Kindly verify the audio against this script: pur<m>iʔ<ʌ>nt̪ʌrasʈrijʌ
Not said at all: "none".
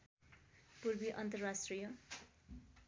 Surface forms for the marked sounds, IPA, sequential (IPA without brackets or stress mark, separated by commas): b, ʌ